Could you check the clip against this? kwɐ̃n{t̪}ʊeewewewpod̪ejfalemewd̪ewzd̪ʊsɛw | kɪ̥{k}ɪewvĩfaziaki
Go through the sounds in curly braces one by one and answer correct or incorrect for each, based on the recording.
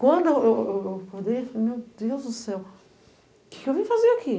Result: incorrect: d̪, correct

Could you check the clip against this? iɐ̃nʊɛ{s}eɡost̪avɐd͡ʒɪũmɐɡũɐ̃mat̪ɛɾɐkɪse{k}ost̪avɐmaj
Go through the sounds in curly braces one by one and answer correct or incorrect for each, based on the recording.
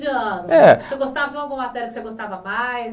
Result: correct, incorrect: ɡ

